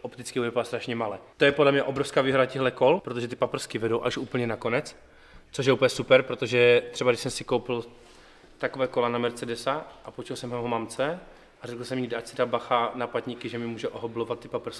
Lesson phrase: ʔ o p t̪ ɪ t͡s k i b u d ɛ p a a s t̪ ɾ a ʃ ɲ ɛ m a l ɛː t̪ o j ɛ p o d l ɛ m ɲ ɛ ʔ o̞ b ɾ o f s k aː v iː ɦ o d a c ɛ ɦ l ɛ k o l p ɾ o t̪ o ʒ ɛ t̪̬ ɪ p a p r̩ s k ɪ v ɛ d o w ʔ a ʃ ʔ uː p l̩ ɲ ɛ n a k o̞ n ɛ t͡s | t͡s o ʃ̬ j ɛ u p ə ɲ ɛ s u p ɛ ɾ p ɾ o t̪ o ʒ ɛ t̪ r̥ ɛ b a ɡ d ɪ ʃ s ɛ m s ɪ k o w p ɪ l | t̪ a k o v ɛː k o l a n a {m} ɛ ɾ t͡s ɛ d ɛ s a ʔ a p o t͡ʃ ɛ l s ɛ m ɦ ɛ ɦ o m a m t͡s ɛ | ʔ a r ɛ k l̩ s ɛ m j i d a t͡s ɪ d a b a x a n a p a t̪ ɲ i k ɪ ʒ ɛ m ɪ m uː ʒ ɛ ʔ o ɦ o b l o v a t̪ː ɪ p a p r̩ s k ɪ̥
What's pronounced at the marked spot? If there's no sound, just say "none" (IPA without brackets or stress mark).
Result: m